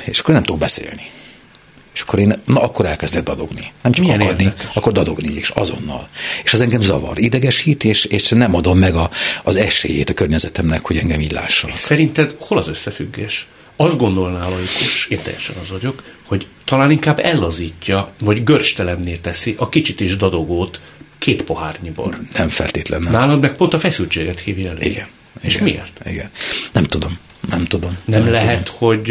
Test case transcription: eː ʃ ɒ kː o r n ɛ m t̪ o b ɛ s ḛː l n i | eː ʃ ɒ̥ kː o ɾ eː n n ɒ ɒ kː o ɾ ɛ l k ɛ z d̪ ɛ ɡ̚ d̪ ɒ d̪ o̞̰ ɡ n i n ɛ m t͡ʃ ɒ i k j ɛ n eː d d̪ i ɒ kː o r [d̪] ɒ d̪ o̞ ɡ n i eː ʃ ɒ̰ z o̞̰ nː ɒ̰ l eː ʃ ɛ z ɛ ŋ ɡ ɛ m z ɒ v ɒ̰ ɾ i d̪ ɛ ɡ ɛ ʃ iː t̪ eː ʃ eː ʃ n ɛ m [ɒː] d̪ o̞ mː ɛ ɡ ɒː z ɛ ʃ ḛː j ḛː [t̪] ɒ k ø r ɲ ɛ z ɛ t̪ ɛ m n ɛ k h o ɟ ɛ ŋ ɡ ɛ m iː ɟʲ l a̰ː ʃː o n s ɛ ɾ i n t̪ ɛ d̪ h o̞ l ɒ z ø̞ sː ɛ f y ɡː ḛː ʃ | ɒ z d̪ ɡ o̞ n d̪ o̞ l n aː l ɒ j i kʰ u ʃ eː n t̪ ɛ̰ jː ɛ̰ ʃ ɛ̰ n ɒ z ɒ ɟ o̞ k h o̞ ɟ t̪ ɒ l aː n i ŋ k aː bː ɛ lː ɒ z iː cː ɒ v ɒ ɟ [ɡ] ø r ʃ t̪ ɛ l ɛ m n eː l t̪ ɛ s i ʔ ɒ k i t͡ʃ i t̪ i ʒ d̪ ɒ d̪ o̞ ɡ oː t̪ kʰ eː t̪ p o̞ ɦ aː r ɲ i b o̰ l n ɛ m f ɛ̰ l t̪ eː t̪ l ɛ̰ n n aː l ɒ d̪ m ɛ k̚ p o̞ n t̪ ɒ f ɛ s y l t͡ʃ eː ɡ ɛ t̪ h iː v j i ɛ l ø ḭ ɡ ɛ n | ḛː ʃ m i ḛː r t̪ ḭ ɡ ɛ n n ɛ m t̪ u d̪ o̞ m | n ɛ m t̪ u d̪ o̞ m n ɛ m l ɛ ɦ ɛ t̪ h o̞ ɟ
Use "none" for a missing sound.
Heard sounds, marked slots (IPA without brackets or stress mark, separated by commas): d̪, ɒ, t̪, ɡ